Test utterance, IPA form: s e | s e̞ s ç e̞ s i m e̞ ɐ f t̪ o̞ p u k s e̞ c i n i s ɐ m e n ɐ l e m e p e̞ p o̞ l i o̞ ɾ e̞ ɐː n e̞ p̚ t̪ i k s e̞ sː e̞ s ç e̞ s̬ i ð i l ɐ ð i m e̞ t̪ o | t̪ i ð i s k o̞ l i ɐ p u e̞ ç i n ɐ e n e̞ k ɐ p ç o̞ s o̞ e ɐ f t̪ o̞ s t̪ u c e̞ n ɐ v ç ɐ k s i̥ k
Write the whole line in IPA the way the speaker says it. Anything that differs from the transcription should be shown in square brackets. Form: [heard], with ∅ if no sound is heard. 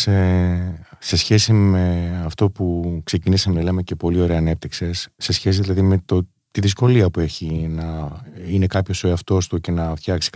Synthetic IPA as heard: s e | s e̞ s ç e̞ s i m e̞ ɐ f t̪ o̞ p u k s e̞ c i n i s ɐ m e n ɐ l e m e [c] e̞ p o̞ l i o̞ ɾ e̞ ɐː n e̞ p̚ t̪ i k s e̞ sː e̞ s ç e̞ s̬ i ð i l ɐ ð i m e̞ t̪ o | t̪ i ð i s k o̞ l i ɐ p u e̞ ç i n ɐ [i] n e̞ k ɐ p ç o̞ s o̞ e ɐ f t̪ o̞ s t̪ u c e̞ n ɐ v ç ɐ k s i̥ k